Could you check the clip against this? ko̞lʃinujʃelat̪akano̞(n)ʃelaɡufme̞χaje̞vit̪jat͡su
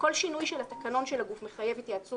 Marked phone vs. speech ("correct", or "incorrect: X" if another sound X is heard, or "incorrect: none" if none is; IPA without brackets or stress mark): correct